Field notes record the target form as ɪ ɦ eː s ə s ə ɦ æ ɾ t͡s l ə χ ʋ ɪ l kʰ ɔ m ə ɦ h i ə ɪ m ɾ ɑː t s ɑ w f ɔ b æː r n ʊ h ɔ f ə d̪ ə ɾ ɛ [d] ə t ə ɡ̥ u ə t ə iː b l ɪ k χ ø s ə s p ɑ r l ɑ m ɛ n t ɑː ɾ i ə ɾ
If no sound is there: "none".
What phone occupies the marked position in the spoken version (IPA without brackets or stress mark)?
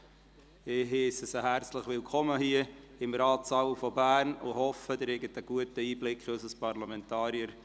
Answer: ɡ